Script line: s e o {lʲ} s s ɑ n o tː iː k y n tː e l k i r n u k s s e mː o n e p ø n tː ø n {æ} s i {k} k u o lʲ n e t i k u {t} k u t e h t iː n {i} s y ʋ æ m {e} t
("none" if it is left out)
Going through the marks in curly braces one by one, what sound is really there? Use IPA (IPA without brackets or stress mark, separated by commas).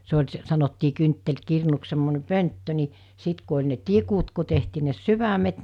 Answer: lʲ, i, t, t, e, e